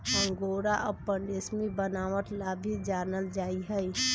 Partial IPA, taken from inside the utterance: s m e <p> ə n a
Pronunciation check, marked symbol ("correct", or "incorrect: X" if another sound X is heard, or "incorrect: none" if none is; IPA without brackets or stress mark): incorrect: b